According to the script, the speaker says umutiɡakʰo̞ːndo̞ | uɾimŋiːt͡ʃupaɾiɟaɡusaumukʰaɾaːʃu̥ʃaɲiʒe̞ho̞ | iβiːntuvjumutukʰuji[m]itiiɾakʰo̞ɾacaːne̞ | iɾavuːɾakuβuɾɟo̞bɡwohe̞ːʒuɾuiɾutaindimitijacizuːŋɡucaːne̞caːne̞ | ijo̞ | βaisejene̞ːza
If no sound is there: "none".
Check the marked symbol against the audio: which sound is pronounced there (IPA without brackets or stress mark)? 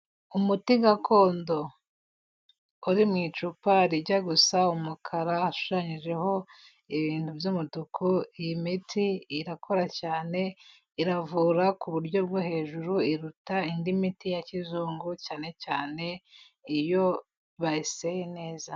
m